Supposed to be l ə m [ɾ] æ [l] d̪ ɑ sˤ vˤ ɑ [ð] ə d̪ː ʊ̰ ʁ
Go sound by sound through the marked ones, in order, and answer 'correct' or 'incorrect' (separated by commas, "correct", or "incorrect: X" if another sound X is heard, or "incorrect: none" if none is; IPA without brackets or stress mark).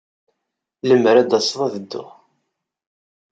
correct, incorrect: none, correct